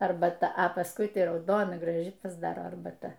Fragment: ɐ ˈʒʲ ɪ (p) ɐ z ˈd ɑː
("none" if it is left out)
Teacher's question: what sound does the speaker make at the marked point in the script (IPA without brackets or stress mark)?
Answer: p